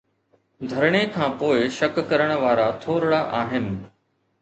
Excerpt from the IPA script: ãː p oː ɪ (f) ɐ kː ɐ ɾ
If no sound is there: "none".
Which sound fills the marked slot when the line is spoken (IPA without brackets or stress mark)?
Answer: ʃ